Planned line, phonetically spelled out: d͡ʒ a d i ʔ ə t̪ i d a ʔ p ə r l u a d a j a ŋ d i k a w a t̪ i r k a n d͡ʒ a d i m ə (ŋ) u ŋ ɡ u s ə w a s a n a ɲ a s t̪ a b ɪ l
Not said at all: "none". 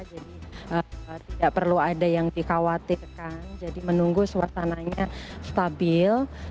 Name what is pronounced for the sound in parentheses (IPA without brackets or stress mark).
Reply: n